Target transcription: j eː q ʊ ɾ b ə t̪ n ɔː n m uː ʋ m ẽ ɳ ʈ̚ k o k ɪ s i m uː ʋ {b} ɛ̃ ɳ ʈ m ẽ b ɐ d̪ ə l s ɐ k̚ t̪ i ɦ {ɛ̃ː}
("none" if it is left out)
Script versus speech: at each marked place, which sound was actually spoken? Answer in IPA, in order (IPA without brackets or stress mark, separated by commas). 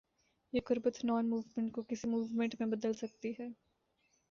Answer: m, ɛː